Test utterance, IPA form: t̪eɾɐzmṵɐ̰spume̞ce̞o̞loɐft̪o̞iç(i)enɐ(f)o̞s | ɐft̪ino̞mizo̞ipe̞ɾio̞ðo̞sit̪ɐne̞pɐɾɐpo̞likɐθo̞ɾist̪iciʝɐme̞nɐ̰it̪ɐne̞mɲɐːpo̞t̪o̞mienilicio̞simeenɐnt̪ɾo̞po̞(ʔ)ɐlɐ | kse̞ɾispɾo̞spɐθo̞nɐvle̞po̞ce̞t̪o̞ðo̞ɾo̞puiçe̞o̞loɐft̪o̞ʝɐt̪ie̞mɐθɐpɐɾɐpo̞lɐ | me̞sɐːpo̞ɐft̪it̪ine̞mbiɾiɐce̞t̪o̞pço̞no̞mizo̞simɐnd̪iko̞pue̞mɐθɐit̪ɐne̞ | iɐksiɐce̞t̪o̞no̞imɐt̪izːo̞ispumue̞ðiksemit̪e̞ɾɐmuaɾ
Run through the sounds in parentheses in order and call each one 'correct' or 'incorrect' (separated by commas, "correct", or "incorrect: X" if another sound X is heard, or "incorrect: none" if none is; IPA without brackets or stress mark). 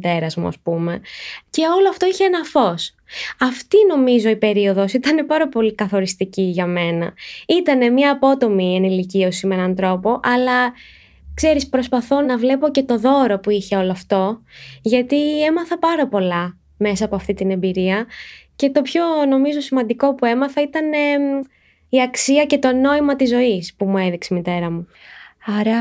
incorrect: e, correct, correct